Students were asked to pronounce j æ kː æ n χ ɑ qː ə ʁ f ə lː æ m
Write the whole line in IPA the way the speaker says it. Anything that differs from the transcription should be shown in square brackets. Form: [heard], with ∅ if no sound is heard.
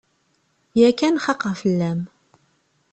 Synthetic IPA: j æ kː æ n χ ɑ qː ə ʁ f ə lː æ m